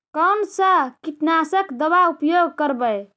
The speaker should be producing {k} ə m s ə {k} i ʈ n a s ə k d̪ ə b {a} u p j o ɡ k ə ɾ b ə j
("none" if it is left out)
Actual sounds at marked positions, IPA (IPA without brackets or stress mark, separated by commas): k, k, a